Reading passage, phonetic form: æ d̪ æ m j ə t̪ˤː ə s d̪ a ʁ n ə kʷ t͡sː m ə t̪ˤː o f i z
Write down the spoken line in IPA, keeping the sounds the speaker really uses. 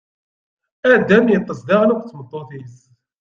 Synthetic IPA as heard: æ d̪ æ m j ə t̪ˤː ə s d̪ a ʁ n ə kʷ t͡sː m ə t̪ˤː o θ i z